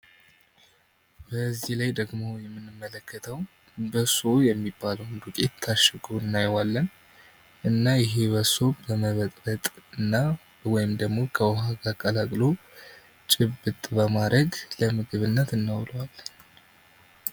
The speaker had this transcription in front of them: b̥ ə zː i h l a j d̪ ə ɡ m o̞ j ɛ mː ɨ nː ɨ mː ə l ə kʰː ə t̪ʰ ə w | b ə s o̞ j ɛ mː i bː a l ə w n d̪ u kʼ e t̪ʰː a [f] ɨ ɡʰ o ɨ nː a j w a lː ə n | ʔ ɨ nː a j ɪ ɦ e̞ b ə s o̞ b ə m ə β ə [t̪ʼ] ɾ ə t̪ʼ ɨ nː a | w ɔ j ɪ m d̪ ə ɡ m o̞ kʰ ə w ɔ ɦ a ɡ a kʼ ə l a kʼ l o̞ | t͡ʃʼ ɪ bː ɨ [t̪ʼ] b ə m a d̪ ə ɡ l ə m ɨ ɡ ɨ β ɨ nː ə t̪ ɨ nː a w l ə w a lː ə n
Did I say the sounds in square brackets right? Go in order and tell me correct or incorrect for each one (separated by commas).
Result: incorrect, correct, correct